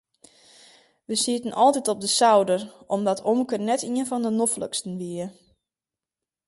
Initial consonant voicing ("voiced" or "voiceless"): voiced